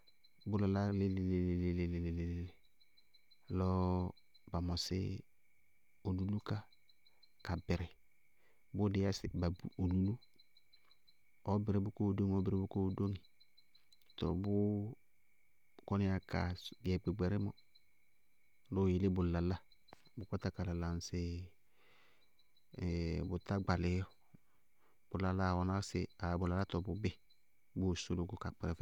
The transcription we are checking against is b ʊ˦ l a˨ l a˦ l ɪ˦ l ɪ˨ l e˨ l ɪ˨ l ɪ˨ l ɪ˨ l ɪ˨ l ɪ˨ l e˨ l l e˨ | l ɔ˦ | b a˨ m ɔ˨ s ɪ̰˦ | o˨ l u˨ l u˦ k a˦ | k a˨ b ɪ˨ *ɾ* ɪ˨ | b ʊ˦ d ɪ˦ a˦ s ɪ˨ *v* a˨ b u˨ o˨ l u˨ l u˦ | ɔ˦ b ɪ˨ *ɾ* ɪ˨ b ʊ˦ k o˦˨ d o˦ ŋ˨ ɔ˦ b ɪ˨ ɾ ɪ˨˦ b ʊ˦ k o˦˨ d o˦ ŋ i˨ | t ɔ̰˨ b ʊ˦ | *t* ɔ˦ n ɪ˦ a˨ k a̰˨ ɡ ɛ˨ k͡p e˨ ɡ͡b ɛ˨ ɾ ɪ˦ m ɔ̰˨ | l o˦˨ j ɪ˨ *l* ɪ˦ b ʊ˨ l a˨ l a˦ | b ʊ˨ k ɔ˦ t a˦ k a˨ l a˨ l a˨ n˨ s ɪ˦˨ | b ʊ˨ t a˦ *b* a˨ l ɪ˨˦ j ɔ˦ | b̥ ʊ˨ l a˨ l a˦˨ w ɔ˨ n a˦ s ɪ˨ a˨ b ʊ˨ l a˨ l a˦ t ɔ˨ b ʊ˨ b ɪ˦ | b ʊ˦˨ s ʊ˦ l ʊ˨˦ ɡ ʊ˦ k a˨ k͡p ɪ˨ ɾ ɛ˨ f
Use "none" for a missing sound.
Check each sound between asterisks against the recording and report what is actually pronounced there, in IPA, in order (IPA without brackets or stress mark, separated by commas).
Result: ɾ, b, ɾ, k, l, ɡ͡b